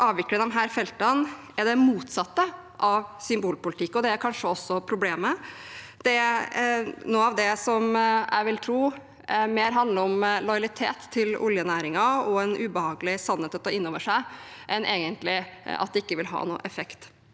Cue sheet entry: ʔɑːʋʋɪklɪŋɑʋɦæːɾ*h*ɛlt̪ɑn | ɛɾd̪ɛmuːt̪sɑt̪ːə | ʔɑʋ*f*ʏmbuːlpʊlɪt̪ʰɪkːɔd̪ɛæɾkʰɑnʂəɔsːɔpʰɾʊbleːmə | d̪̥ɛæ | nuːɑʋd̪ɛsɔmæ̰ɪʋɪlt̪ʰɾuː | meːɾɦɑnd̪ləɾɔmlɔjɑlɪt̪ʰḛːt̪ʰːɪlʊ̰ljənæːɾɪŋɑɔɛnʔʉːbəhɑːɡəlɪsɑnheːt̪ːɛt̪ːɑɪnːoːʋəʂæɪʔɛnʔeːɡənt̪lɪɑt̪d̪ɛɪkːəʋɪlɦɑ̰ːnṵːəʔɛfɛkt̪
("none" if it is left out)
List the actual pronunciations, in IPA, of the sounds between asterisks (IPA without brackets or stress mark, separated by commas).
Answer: f, s